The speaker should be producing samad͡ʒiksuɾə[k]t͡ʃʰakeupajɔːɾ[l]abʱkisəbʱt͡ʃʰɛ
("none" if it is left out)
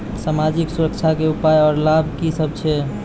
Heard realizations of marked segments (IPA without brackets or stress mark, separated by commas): k, l